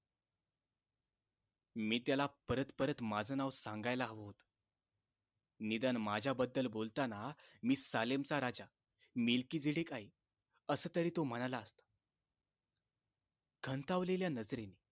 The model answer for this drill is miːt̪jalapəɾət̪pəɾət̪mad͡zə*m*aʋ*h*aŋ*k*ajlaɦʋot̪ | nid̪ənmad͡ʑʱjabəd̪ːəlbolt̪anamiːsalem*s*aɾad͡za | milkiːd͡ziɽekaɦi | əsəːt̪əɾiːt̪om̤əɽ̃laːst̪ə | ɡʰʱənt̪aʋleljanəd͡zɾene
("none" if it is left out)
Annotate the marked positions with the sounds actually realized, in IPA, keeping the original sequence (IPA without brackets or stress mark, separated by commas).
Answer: n, s, ɡ, t͡s